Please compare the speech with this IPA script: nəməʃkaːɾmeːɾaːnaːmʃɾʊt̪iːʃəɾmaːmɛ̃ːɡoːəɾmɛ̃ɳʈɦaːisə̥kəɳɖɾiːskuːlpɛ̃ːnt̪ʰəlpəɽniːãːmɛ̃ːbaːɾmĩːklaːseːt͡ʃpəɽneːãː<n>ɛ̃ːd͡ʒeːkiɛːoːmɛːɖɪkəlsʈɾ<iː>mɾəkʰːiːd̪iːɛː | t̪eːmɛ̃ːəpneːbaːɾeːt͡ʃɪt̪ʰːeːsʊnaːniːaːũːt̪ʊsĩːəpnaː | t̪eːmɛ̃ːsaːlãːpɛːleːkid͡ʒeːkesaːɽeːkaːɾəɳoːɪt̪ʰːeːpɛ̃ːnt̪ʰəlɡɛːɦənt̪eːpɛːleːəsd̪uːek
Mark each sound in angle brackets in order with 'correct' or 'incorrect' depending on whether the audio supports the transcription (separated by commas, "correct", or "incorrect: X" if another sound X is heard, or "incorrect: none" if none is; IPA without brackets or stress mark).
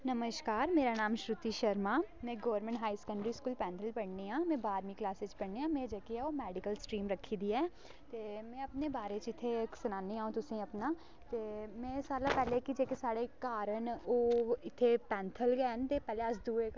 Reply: incorrect: m, correct